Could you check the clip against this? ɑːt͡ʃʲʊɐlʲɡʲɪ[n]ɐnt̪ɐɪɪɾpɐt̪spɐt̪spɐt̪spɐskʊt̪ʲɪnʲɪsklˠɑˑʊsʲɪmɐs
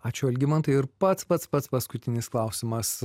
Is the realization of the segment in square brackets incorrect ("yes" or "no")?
yes